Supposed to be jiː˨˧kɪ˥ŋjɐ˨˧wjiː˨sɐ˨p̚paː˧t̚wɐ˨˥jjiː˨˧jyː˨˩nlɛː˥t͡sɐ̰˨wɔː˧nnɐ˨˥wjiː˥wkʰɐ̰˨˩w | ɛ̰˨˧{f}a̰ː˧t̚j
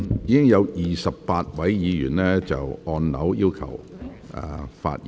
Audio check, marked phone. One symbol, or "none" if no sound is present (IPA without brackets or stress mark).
f